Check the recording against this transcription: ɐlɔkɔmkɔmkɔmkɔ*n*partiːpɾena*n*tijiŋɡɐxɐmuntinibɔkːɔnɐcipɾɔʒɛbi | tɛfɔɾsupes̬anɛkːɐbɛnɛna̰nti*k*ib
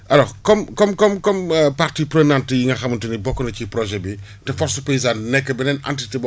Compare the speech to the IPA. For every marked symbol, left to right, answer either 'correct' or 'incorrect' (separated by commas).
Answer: incorrect, correct, incorrect